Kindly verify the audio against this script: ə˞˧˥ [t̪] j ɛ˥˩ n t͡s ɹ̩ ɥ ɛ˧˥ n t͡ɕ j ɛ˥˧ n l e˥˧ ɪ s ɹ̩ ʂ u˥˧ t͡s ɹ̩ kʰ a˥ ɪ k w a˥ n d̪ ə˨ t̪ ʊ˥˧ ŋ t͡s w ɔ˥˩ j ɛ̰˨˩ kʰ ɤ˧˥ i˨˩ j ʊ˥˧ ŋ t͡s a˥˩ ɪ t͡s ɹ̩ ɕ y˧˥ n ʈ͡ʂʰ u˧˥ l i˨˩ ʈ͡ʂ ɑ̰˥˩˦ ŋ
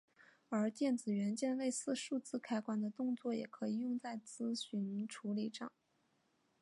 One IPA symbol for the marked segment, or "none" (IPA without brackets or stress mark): t̪